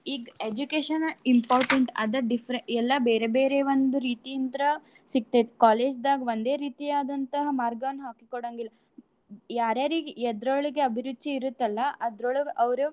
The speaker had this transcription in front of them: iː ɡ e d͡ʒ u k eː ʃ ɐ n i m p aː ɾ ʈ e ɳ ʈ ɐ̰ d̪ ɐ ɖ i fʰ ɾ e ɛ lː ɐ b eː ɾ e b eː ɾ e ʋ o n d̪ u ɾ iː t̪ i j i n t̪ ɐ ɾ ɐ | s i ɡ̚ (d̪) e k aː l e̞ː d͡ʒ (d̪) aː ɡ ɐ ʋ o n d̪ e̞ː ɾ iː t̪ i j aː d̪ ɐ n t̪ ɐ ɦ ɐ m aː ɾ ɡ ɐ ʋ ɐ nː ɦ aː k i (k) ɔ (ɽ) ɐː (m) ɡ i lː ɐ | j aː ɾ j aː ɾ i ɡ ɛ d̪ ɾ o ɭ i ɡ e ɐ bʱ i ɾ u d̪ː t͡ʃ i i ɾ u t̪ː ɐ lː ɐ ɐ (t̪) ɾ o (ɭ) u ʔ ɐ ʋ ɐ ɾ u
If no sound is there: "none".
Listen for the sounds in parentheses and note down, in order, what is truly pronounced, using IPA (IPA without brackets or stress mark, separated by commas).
t̪, d̪, k, ɽ, ŋ, d̪, ɭ